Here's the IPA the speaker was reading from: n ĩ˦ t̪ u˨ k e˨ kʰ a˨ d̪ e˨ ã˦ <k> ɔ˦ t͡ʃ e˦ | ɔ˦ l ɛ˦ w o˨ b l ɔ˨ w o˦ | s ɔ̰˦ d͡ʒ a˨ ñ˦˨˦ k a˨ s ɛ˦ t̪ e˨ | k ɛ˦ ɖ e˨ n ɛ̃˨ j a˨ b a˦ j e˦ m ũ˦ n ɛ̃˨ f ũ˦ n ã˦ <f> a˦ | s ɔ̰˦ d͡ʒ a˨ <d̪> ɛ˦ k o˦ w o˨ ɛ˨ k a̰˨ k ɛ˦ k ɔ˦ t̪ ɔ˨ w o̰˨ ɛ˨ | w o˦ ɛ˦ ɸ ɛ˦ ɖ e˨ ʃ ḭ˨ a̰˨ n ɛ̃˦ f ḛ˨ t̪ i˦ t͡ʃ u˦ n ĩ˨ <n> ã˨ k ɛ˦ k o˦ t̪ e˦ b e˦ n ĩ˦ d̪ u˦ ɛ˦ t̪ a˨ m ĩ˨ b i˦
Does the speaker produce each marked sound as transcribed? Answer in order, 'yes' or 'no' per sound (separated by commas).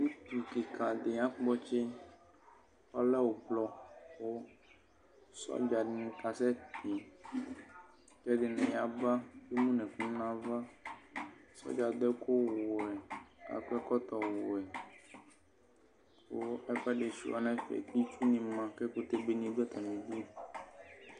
no, no, yes, no